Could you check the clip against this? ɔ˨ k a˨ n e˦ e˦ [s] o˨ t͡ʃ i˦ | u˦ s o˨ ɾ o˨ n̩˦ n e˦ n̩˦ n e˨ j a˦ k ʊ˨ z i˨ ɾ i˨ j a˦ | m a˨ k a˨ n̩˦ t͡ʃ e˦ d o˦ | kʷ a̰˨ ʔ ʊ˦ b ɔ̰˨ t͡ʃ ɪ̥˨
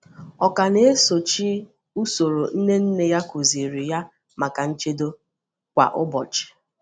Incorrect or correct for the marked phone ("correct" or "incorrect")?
correct